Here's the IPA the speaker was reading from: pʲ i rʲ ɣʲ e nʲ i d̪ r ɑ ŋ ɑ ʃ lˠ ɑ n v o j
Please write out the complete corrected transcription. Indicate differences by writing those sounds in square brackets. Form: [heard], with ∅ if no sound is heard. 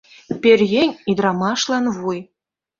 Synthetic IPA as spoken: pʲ [e] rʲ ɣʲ e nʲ i d̪ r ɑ [m] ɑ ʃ lˠ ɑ n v [u] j